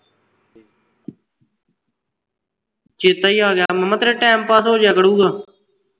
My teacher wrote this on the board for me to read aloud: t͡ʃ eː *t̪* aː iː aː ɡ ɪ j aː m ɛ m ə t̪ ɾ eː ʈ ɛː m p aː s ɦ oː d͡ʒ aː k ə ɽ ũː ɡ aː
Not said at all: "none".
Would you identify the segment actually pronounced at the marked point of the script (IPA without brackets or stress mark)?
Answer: t̪